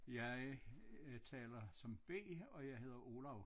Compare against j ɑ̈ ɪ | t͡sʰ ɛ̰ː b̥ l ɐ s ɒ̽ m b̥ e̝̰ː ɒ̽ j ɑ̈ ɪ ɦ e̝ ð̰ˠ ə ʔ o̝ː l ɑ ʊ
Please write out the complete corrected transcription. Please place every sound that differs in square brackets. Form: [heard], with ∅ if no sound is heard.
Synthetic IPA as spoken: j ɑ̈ ɪ | t͡sʰ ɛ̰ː [∅] l ɐ s ɒ̽ m b̥ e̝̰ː ɒ̽ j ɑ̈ ɪ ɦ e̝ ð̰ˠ [ɐ] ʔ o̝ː l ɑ ʊ